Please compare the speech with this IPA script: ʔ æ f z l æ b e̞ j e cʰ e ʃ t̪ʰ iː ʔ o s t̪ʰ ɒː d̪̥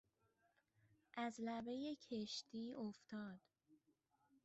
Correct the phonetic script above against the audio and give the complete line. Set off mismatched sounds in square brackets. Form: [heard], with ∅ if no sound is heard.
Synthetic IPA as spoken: ʔ æ [∅] z l æ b e̞ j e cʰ e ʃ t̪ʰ iː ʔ o [f] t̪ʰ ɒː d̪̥